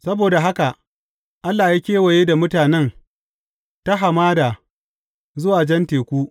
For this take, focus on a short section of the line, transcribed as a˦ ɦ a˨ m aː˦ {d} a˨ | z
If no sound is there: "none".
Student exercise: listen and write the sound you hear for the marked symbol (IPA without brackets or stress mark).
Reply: d